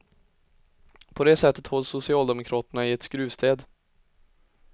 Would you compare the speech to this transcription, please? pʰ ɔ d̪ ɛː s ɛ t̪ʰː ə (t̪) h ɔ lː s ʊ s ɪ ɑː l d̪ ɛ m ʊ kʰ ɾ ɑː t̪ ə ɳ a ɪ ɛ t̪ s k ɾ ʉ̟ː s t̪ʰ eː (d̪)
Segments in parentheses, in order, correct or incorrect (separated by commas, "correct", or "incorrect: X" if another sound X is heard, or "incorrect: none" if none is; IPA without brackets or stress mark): correct, correct